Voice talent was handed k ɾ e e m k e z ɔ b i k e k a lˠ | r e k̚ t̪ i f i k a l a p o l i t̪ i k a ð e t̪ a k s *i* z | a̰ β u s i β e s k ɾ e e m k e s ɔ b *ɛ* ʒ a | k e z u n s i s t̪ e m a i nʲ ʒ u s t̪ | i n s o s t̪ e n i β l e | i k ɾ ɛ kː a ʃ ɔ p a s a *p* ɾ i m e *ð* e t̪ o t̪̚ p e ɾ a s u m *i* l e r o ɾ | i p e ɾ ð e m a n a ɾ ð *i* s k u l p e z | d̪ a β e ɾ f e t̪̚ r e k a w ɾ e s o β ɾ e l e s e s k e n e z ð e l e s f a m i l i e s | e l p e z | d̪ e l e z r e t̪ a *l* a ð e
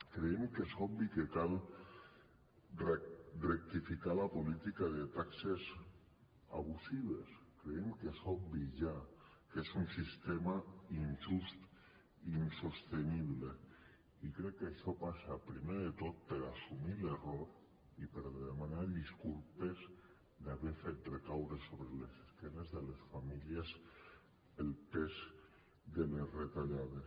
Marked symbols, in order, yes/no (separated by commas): no, no, yes, yes, yes, yes, no